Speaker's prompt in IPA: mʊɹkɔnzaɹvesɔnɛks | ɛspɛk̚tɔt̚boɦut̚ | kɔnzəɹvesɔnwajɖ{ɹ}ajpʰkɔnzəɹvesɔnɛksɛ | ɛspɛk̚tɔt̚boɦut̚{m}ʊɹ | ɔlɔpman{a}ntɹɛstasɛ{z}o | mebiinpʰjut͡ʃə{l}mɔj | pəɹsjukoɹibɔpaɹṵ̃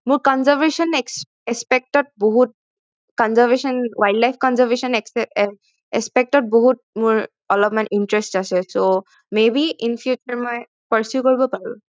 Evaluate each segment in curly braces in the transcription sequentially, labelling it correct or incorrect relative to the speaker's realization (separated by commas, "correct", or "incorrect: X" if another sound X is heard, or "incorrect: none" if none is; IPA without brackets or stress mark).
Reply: incorrect: l, correct, incorrect: i, incorrect: s, incorrect: ɹ